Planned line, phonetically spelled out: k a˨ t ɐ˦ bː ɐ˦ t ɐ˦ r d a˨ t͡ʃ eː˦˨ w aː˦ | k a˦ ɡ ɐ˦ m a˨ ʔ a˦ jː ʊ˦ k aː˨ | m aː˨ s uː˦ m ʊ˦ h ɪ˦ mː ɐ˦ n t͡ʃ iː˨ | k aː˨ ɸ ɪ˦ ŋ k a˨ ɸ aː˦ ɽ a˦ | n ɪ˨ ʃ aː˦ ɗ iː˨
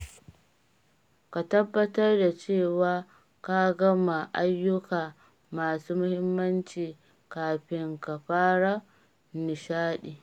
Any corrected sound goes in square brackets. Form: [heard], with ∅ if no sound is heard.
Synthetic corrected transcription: k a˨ t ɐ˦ bː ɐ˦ t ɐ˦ r d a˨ t͡ʃ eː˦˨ w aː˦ | k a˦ ɡ ɐ˦ m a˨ ʔ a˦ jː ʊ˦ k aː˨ | m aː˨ s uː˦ m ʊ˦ h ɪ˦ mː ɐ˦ n t͡ʃ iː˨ | k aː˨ ɸ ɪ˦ ŋ k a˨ ɸ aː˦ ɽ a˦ | n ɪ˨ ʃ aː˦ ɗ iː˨